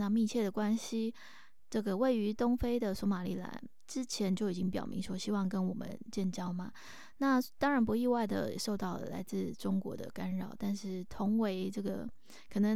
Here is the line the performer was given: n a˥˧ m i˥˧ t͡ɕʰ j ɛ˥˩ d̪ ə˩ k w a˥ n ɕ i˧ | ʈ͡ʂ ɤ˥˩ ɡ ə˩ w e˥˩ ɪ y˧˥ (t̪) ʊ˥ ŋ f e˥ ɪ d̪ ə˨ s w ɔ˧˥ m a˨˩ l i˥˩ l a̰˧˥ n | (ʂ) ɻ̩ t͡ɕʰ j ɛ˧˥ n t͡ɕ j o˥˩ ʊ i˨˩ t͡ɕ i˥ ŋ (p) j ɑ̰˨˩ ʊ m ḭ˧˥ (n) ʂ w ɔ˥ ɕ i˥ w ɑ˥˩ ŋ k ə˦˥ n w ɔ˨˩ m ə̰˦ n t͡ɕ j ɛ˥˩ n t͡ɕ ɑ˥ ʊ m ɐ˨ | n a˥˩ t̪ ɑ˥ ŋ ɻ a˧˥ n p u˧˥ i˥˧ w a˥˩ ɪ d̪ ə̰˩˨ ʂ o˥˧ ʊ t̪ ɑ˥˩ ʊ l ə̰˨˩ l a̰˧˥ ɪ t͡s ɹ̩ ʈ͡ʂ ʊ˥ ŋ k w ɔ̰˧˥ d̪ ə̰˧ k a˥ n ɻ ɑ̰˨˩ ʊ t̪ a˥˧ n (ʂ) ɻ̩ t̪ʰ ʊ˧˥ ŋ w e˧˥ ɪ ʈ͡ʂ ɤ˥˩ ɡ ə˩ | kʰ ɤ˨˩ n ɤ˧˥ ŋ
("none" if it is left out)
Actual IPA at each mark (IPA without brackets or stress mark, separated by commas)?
t̪, ʈ͡ʂ, p, ŋ, ʂ